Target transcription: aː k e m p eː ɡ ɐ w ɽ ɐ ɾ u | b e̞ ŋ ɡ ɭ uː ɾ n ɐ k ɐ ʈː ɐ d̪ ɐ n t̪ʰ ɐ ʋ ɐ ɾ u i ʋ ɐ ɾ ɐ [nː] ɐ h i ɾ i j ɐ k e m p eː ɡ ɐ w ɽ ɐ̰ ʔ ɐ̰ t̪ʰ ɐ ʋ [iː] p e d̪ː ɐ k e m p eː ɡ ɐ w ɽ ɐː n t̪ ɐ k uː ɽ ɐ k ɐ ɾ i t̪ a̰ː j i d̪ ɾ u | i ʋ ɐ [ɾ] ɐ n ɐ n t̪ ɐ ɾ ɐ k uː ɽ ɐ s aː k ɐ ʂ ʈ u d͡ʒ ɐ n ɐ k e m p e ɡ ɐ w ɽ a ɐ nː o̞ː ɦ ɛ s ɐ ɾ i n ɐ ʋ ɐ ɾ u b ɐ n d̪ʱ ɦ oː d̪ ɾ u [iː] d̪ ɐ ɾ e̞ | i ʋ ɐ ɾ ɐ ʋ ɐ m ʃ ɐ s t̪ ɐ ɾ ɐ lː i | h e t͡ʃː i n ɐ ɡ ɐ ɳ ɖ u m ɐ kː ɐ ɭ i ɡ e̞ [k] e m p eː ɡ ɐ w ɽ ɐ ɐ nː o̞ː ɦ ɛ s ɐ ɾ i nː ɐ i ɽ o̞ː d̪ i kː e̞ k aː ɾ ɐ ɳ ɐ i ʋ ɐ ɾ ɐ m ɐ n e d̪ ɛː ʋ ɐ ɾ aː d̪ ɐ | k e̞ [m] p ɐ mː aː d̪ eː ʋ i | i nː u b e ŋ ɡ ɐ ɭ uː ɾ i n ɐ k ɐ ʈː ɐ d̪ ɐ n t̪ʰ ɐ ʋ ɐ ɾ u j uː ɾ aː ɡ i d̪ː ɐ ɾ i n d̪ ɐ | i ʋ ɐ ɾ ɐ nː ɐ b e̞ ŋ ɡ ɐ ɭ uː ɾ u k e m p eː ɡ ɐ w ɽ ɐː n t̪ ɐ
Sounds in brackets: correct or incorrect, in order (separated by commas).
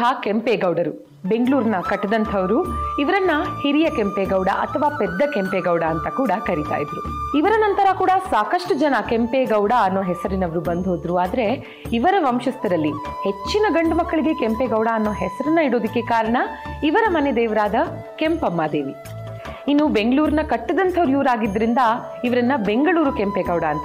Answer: correct, incorrect, correct, incorrect, correct, correct